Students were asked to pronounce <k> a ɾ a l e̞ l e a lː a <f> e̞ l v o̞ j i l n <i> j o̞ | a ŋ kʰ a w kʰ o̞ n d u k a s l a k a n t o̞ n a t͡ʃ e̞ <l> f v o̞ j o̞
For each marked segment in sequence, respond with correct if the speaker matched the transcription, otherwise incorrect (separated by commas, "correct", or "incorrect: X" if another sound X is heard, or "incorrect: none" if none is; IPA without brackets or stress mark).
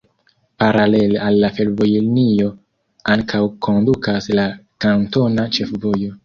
incorrect: p, correct, correct, incorrect: none